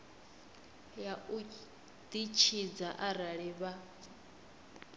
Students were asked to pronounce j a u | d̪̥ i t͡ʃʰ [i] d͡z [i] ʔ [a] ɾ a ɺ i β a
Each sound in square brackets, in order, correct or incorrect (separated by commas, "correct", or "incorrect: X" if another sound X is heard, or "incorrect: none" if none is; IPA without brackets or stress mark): correct, incorrect: a, correct